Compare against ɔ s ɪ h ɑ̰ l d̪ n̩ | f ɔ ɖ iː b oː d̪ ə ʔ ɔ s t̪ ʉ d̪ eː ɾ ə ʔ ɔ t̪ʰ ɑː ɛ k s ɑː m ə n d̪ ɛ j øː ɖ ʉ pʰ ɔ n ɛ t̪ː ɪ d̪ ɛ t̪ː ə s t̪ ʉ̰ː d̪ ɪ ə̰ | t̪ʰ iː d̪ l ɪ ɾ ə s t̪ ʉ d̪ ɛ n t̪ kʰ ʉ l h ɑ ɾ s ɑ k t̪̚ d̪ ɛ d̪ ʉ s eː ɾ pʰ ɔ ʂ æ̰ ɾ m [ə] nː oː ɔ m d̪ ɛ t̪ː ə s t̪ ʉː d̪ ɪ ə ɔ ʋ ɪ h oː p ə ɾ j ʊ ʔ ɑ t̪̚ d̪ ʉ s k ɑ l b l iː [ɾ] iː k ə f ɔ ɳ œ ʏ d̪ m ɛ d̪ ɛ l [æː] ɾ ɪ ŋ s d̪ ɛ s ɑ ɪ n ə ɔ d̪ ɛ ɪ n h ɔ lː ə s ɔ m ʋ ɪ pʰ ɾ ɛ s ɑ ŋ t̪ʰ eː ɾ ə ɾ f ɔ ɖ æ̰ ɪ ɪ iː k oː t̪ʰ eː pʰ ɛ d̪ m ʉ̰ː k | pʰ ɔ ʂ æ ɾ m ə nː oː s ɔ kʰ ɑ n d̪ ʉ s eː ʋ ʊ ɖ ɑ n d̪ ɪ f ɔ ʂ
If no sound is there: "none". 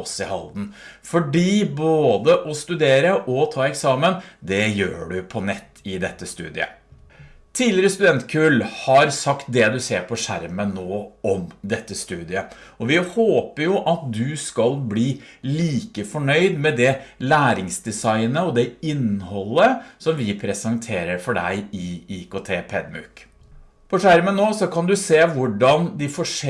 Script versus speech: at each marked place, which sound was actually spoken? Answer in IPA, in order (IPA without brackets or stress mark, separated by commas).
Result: ə, l, æː